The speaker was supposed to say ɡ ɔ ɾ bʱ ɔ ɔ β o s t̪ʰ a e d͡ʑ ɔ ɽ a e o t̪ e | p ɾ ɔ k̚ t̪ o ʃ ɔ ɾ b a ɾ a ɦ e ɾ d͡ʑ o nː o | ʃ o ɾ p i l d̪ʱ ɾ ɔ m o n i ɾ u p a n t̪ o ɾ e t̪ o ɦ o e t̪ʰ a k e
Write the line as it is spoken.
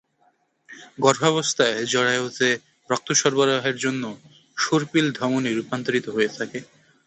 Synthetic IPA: ɡ ɔ ɾ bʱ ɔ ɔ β o s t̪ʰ a e d͡ʑ ɔ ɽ a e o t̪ e | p ɾ ɔ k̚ t̪ o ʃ ɔ ɾ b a ɾ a ɦ e ɾ d͡ʑ o nː o | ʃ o ɾ p i l d̪ʱ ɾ ɔ m o n i ɾ u p a n t̪ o ɾ i t̪ o ɦ o e t̪ʰ a k e